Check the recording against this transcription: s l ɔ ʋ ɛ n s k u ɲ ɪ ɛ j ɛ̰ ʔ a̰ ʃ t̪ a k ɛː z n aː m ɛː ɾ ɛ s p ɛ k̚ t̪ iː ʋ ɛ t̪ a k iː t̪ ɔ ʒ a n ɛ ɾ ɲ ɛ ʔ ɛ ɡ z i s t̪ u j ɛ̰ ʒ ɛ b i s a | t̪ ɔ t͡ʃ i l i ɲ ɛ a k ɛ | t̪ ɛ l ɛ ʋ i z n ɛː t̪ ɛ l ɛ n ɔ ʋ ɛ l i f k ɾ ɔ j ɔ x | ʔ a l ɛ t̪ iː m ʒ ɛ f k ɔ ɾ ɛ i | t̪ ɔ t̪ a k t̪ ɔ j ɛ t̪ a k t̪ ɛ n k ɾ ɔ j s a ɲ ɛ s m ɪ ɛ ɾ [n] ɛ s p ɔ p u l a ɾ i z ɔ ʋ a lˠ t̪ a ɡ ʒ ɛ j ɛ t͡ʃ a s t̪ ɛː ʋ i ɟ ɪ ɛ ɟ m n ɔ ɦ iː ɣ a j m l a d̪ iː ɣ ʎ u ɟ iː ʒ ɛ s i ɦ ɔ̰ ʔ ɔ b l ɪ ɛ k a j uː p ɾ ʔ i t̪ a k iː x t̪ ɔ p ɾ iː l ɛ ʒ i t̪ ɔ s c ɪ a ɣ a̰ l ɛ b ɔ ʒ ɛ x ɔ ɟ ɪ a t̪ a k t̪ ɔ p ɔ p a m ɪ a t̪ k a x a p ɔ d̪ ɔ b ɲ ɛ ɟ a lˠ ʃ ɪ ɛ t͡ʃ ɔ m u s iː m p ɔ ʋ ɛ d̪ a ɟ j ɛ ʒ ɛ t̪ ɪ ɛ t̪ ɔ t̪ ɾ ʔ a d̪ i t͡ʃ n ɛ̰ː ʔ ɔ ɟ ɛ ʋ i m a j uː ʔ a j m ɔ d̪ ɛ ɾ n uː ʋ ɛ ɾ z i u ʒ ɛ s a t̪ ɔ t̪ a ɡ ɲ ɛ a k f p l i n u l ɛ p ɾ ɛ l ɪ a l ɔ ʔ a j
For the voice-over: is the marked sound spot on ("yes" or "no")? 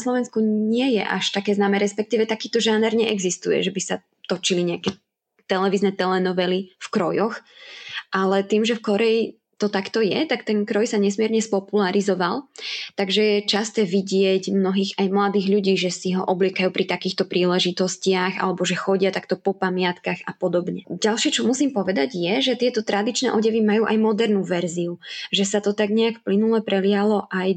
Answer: no